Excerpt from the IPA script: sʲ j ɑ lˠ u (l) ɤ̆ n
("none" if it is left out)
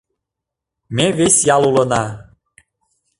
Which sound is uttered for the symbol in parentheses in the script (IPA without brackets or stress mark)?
l